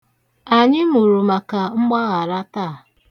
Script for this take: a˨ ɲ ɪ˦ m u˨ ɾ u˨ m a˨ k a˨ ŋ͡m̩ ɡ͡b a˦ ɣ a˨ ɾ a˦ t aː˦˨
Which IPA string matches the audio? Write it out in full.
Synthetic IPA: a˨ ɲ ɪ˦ m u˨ ɾ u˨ m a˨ k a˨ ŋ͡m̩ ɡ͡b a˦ ɣ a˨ ɾ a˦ t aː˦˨